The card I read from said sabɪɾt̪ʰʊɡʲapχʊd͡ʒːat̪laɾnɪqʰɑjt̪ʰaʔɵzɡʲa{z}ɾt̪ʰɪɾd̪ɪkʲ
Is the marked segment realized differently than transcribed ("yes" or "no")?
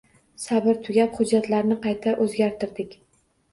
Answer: yes